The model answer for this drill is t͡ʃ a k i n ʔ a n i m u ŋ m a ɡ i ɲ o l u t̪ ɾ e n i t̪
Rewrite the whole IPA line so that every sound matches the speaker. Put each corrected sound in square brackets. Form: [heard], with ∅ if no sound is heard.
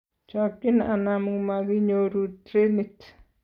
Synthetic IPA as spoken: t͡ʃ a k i n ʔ a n [a] m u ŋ m a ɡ i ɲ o [ɾ] u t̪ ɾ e n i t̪